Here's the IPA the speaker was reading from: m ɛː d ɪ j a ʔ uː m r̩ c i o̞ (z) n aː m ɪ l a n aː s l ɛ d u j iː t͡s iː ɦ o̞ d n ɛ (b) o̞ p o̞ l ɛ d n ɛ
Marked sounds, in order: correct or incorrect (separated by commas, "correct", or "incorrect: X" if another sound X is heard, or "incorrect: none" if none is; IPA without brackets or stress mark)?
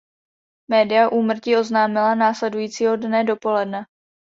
correct, incorrect: d